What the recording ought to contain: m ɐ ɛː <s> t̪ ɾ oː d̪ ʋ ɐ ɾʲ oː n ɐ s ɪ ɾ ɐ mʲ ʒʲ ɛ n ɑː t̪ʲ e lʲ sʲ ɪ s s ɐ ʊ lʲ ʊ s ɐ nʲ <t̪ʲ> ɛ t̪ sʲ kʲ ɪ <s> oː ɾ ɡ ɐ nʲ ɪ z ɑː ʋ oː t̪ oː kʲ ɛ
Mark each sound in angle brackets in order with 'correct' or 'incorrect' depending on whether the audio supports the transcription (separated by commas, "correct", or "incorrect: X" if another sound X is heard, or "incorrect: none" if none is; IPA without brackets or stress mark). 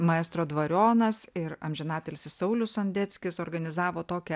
correct, incorrect: d̪ʲ, correct